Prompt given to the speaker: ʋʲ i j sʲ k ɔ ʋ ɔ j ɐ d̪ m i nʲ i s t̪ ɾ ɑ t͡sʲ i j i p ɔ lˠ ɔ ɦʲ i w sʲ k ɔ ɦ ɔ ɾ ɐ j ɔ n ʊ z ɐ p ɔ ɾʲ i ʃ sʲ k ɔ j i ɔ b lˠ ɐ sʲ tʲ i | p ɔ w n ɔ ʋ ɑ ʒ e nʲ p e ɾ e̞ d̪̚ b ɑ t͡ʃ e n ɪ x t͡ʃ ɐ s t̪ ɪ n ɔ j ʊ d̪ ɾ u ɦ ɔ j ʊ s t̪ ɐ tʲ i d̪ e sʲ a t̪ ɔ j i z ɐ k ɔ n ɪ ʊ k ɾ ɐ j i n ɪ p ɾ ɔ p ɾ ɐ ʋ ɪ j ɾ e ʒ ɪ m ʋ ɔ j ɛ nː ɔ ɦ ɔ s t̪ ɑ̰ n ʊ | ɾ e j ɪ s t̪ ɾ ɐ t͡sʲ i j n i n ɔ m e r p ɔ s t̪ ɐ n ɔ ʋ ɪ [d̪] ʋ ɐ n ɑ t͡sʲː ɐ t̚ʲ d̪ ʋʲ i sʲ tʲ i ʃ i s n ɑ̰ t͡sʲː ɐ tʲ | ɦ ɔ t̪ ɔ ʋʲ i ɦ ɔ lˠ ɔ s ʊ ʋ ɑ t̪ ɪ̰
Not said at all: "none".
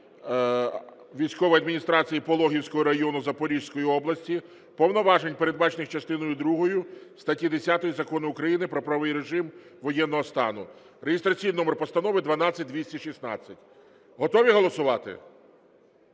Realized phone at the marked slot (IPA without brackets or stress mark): d̪